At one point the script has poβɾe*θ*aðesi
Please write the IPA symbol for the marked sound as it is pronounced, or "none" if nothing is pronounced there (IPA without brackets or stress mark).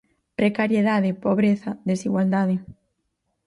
θ